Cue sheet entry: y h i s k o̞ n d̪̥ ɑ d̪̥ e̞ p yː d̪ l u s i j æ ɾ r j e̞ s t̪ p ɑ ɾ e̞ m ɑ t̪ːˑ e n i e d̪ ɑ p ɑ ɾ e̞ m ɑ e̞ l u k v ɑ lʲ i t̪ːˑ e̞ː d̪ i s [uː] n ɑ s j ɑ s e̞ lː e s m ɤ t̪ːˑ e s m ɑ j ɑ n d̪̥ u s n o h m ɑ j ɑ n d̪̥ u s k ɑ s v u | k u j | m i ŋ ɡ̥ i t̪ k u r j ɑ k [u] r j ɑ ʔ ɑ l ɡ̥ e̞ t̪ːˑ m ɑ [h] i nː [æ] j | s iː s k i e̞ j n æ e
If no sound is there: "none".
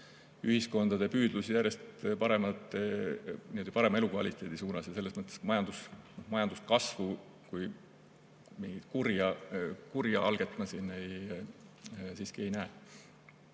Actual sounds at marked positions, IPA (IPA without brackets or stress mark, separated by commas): uː, u, s, e